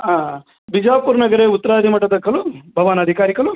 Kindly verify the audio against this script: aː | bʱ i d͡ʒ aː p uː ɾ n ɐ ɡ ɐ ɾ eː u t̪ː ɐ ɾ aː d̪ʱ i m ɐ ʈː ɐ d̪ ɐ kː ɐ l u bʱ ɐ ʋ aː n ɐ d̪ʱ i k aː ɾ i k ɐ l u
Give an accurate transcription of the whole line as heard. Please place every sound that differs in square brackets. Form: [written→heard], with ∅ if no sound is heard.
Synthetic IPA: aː | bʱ i d͡ʒ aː p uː ɾ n ɐ ɡ ɐ ɾ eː u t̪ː ɐ ɾ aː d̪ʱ i m ɐ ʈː ɐ d̪ ɐ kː ɐ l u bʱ ɐ ʋ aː n ɐ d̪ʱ i k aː ɾ i k ɐ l u